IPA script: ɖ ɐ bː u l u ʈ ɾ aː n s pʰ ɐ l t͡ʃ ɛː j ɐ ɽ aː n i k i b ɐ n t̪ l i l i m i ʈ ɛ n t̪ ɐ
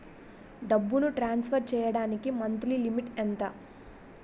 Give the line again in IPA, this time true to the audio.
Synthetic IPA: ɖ ɐ bː u l u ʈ ɾ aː n s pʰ ɐ ɾ t͡ʃ ɛː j ɐ ɽ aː n i k i m ɐ n t̪ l i l i m i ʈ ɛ n t̪ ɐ